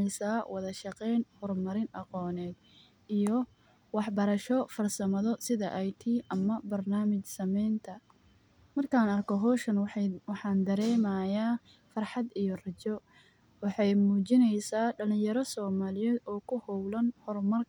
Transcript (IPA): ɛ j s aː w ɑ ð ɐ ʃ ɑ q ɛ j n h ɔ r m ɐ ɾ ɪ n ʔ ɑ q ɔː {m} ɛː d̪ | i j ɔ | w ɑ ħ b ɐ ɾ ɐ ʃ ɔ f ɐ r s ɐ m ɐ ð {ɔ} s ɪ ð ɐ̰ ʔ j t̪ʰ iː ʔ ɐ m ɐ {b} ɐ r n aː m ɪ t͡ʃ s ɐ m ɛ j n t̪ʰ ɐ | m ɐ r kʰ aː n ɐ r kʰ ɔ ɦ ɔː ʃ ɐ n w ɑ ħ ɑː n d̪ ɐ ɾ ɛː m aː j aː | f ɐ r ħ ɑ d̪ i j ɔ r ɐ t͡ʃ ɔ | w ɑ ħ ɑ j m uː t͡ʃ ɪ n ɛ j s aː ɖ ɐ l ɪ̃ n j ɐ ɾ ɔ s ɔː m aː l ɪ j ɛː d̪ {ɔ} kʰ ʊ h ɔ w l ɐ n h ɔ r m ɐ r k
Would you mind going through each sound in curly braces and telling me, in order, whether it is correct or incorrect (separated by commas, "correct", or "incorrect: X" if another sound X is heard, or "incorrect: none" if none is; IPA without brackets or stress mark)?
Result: incorrect: n, correct, correct, incorrect: ɔː